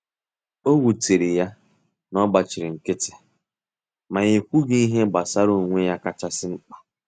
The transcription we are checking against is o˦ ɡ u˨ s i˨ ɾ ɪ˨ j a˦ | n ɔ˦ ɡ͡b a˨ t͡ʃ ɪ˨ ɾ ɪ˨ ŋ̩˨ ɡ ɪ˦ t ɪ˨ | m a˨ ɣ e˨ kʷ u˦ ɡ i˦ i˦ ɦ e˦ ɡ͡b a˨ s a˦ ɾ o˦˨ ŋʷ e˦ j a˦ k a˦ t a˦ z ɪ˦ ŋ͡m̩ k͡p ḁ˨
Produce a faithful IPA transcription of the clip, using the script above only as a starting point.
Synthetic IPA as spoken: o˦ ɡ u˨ t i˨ ɾ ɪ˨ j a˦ | n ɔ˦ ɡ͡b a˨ t͡ʃ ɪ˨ ɾ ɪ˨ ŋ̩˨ k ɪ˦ t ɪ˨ | m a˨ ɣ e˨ kʷ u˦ ɡ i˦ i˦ ɦ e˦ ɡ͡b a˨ s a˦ ɾ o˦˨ ŋʷ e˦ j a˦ k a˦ t͡ʃ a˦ s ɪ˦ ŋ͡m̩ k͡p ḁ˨